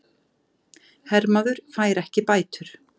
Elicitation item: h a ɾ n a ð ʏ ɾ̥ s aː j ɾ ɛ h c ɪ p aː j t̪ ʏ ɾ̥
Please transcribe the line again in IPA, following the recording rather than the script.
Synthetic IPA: h ɛ ɾ m a ð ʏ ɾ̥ f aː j ɾ ɛ h c ɪ p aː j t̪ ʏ ɾ̥